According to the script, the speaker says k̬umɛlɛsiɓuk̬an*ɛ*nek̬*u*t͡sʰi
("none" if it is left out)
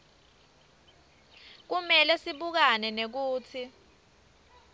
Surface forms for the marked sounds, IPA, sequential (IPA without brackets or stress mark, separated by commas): ɛ, uː